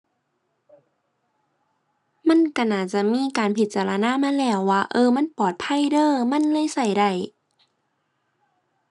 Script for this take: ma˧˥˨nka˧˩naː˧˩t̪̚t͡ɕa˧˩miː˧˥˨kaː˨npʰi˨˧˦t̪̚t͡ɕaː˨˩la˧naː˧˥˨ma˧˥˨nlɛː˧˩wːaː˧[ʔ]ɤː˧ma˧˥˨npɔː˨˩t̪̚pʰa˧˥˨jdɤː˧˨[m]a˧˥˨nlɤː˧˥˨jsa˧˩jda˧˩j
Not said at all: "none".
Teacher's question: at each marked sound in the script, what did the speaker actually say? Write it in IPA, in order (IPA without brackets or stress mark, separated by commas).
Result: ʔ, m